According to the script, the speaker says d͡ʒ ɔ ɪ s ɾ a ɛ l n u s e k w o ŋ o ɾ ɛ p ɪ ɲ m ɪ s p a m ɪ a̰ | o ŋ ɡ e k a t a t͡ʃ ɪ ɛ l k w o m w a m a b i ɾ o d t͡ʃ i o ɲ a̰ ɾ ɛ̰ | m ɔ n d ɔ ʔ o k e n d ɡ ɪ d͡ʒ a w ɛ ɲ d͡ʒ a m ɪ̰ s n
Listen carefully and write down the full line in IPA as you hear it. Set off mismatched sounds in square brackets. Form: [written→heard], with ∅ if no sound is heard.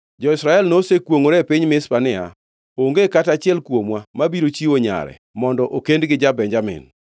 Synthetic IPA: d͡ʒ ɔ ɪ s ɾ a ɛ l n [u→o] s e k w o ŋ o ɾ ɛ p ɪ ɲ m ɪ s p a [m→n] ɪ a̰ | o ŋ ɡ e k a t a t͡ʃ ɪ ɛ l k w o m w a m a b i ɾ o [d→∅] t͡ʃ i o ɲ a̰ ɾ ɛ̰ | m ɔ n d ɔ ʔ o k e n d ɡ ɪ d͡ʒ a [w→b] ɛ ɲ d͡ʒ a m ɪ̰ [s→∅] n